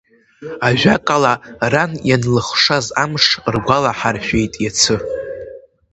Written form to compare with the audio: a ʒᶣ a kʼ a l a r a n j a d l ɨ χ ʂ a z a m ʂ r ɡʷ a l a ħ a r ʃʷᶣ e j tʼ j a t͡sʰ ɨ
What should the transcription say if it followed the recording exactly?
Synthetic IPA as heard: a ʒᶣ a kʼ a l a r a n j a n l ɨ χ ʂ a z a m ʂ r ɡʷ a l a ħ a r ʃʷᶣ e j tʼ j a t͡sʰ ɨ